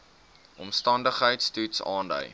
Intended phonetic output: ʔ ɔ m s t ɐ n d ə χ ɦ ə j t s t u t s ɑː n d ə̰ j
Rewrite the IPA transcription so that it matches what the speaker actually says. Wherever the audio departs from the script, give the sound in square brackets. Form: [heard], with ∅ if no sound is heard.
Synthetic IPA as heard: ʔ ɔ m s t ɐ n d ə χ ɦ ə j t s t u t s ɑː n d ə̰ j